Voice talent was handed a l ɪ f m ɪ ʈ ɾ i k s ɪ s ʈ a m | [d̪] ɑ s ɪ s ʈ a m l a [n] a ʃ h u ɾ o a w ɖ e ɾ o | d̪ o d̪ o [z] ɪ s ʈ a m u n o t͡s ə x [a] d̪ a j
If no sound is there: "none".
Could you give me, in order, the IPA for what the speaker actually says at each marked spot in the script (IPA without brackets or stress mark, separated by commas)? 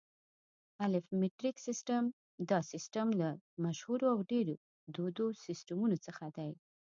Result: d̪, m, s, a